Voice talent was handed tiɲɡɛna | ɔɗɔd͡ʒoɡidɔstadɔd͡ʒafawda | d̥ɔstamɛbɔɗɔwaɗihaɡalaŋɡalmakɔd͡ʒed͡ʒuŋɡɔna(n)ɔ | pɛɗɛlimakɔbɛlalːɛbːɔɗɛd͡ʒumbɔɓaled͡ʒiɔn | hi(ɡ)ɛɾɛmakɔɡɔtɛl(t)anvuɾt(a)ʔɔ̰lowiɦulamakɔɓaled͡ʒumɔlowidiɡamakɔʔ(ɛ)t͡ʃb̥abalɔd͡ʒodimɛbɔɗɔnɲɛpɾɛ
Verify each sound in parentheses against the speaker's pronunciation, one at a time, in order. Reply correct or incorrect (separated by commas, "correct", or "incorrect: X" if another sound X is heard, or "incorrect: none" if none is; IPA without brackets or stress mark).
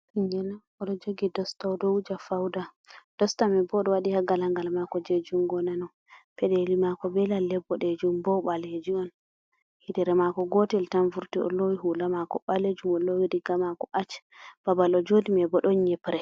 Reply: correct, incorrect: d, correct, incorrect: i, incorrect: a